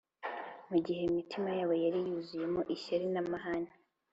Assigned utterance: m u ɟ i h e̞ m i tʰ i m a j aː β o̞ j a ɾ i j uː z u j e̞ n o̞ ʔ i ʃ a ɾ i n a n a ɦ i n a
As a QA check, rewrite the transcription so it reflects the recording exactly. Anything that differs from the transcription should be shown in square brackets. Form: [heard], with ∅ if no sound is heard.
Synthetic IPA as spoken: m u ɟ i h e̞ m i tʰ i m a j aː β o̞ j a ɾ i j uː z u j e̞ [m] o̞ ʔ i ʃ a ɾ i n a [m] a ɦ [a] n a